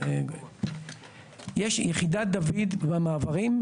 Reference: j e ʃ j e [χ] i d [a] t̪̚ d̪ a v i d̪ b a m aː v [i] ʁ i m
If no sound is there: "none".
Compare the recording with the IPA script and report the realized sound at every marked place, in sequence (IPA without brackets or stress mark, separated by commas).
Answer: χ, a, a